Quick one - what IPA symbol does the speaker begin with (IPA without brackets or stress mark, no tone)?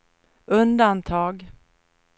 ɵ